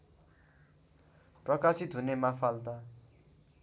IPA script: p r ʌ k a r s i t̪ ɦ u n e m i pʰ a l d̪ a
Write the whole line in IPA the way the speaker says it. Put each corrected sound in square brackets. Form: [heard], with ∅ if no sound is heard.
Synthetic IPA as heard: p r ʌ k a [∅] s i t̪ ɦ u n e m [a] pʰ a l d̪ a